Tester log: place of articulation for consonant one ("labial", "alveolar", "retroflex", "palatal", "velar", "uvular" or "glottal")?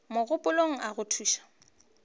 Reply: labial